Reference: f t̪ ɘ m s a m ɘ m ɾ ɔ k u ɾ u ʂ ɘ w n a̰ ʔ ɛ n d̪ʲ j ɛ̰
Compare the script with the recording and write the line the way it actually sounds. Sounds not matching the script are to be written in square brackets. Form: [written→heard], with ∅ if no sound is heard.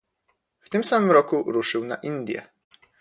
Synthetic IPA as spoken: f t̪ ɘ m s a m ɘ m ɾ ɔ k u ɾ u ʂ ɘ w n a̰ ʔ [ɛ→i] n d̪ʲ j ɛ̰

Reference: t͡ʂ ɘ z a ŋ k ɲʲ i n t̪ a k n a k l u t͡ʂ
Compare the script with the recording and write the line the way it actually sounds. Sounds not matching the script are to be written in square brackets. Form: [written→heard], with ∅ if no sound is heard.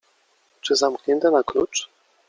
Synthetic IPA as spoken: t͡ʂ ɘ z a [ŋ→m] k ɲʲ [i→ɛ] n t̪ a [k→∅] n a k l u t͡ʂ

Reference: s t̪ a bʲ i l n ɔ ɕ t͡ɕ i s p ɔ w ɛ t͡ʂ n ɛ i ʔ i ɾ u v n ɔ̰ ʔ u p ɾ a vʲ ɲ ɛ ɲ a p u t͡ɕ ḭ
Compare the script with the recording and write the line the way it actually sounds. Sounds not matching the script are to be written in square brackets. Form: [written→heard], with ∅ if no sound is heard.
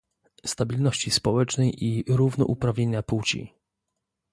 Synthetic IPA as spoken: s t̪ a bʲ i l n ɔ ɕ t͡ɕ i s p ɔ w ɛ t͡ʂ n ɛ [i→j] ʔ i ɾ u v n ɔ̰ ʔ u p ɾ a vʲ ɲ [ɛ→e] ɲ a p u t͡ɕ ḭ

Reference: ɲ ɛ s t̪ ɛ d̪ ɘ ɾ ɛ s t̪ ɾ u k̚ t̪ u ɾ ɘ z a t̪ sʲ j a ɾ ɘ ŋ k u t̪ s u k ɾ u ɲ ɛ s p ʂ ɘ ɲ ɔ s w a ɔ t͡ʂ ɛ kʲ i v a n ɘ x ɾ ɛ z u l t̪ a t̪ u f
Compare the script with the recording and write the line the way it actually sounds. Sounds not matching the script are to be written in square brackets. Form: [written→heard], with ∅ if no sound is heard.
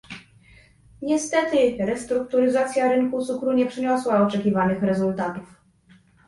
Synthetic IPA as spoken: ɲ ɛ s t̪ ɛ [d̪→t̪] ɘ ɾ ɛ s t̪ ɾ u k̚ t̪ u ɾ ɘ z a t̪ sʲ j a ɾ ɘ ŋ k u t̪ s u k ɾ u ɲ ɛ [s→∅] p ʂ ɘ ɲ ɔ s w a ɔ t͡ʂ ɛ kʲ i v a n ɘ x ɾ ɛ z u l t̪ a t̪ u f

